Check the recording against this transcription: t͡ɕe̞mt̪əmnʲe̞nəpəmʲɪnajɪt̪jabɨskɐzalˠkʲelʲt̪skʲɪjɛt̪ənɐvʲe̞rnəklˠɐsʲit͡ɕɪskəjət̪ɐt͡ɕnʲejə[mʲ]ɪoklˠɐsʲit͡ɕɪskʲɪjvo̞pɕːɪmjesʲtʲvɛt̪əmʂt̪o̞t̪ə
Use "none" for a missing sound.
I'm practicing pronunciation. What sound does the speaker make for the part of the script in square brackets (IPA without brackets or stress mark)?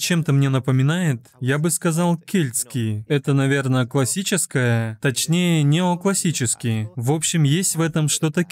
nʲ